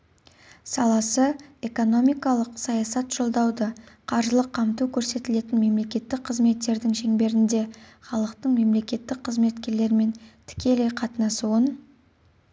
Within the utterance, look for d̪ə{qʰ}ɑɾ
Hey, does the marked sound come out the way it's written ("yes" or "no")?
yes